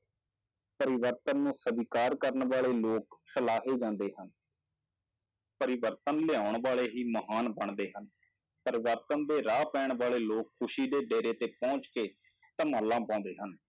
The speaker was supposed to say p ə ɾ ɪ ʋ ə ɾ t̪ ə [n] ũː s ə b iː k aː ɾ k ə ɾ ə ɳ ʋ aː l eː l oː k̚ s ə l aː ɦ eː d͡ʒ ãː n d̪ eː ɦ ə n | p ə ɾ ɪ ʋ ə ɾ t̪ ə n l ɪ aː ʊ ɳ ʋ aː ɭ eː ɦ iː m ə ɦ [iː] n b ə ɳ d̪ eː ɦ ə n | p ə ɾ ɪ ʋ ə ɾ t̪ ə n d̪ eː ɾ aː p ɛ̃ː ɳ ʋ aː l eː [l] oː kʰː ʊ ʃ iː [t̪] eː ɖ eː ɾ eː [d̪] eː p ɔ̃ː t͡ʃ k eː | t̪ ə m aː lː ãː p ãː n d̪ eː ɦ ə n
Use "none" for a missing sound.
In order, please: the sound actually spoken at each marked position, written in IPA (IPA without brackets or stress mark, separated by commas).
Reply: nː, aː, l, d̪, t̪